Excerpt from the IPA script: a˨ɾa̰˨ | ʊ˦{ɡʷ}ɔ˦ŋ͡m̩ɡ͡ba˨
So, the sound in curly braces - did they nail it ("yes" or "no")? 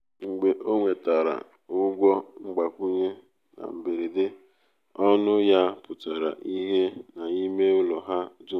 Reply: yes